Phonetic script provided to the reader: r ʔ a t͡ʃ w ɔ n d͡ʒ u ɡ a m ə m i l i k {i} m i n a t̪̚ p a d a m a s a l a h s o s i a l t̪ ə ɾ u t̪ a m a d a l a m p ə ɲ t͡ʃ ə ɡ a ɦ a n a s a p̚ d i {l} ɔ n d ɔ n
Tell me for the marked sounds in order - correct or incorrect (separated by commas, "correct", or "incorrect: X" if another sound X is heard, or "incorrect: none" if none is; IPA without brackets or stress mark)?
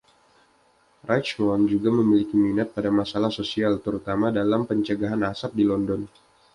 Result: correct, correct